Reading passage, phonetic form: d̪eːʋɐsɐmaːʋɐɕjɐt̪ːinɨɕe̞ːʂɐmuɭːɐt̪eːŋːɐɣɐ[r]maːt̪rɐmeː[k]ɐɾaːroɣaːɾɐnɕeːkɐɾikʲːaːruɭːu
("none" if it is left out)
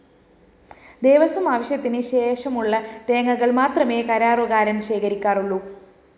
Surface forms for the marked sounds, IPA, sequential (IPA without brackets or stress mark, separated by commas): ɭ, k